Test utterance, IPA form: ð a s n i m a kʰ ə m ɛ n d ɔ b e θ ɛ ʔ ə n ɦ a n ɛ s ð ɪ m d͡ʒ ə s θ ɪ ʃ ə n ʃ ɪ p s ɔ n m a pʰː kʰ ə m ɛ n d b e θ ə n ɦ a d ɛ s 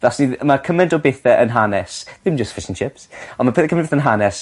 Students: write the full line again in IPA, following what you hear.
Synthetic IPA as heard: ð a s n i m a kʰ ə m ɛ n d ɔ b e θ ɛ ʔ ə n ɦ a n ɛ s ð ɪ m d͡ʒ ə s f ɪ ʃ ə n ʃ ɪ p s ɔ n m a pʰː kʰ ə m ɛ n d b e θ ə n ɦ a n ɛ s

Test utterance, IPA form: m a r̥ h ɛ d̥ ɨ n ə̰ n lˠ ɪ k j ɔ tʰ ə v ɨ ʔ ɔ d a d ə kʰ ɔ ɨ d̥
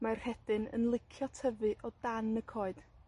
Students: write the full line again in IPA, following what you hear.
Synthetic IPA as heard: m a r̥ h ɛ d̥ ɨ n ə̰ n lˠ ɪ kʰ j ɔ tʰ ə v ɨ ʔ ɔ d a n ə kʰ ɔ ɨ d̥

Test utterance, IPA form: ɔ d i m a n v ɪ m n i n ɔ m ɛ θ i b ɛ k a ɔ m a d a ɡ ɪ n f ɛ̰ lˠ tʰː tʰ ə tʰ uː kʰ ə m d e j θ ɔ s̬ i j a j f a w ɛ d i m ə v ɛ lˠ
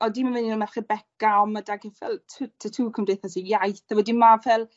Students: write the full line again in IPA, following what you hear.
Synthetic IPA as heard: ɔ d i m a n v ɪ n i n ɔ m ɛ χ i b ɛ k a ɔ m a d a ɡ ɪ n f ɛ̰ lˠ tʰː tʰ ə tʰ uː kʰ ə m d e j θ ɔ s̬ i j a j θ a w ɛ d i m a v ɛ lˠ

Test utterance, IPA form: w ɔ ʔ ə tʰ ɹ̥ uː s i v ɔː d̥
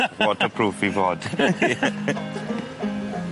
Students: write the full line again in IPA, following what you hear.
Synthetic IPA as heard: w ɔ t ə pʰ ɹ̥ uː f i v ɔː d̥

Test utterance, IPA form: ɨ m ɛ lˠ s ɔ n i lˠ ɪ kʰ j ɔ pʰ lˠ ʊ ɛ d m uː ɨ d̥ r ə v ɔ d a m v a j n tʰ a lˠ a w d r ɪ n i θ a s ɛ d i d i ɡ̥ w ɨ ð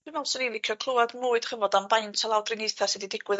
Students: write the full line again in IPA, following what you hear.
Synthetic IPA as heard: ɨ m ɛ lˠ s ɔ n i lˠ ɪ kʰ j ɔ kʰ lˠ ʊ a d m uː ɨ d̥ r ə v ɔ d a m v a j n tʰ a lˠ a w d r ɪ n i θ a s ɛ d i d ɪ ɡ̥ w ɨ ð

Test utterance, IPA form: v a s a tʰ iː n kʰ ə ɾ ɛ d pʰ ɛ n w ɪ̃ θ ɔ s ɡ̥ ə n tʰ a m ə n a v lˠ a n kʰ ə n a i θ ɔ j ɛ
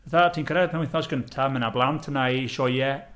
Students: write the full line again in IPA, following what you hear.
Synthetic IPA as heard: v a θ a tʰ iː n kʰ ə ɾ ɛ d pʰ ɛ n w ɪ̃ θ ɔ s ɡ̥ ə n tʰ a m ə n a b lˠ a n tʰ ə n a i ʃ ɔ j ɛ

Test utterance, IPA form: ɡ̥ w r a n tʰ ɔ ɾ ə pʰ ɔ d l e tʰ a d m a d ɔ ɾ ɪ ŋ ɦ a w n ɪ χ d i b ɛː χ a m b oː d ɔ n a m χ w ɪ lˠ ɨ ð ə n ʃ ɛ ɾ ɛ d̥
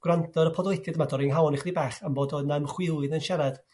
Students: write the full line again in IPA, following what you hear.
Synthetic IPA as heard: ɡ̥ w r a n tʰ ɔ ɾ ə pʰ ɔ d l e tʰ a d m a d ɔ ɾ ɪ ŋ ɦ a w n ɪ χ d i b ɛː χ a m b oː d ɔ n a m χ w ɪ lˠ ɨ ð ə n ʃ ɛ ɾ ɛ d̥

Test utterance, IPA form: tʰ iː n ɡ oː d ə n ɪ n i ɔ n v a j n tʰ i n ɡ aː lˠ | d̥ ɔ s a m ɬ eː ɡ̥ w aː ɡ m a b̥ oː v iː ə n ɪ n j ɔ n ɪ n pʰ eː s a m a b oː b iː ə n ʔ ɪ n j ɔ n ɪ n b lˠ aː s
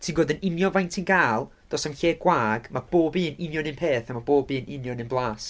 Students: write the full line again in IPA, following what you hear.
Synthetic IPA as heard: tʰ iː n ɡ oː d ə n ɪ n j ɔ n v a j n tʰ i n ɡ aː lˠ | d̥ ɔ s a m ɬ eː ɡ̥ w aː ɡ m a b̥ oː b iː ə n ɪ n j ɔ n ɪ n pʰ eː θ a m a b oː b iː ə n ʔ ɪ n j ɔ n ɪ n b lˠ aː s

